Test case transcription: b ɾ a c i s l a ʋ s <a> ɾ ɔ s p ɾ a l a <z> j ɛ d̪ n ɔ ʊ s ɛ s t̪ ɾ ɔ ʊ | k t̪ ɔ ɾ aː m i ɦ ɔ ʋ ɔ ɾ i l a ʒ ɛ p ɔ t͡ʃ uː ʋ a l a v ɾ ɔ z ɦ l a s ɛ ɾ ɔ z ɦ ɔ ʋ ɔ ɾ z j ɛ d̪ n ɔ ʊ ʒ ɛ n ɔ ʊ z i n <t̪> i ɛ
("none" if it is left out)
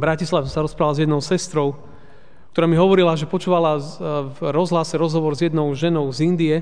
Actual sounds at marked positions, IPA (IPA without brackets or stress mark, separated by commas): a, z, d̪